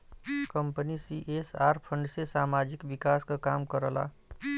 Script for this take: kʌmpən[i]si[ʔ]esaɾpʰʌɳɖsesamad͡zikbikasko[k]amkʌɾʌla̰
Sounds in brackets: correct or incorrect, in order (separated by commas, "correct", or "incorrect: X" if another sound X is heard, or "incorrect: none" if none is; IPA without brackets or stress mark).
correct, correct, correct